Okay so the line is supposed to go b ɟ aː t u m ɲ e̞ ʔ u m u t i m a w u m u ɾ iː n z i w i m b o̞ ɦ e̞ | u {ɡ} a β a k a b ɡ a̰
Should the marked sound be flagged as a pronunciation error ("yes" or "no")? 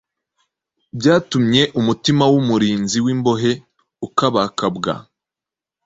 yes